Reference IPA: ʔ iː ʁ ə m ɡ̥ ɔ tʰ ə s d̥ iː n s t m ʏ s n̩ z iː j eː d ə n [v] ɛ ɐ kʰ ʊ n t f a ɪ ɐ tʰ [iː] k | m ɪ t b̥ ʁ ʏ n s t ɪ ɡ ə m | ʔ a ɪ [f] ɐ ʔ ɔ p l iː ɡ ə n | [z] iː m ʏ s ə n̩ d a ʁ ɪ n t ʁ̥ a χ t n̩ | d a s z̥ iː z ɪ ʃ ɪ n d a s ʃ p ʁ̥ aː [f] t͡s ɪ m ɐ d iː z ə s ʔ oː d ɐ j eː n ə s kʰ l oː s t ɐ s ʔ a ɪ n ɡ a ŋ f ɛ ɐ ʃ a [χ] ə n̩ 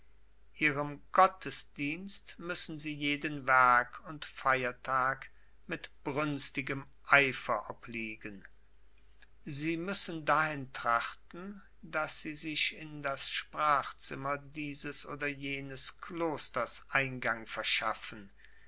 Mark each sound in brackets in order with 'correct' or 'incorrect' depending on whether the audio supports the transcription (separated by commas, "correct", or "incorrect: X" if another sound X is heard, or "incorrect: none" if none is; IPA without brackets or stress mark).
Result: correct, incorrect: aː, correct, correct, incorrect: χ, incorrect: f